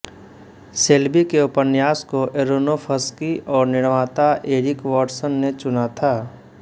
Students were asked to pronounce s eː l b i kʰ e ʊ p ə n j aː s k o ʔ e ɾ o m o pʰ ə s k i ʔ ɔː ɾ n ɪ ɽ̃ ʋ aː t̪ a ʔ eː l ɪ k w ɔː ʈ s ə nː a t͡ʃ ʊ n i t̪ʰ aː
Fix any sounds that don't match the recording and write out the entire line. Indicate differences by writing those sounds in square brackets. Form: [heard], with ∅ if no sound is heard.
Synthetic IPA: s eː l b i [k] e ʊ p ə n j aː s k o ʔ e ɾ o [n] o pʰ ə s k i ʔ ɔː ɾ n ɪ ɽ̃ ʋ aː t̪ a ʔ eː [ɾ] ɪ k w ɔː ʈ s ə nː [e] t͡ʃ ʊ n [a] t̪ʰ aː